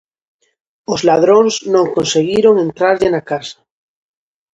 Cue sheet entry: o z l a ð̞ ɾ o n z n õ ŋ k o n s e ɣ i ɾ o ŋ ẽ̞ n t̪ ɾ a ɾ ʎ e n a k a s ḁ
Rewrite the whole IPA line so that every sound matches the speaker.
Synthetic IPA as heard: o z l a ð̞ ɾ o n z n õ ŋ k o n s e ɣ i ɾ o ŋ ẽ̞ n t̪ ɾ a ɾ ʎ e n a k a s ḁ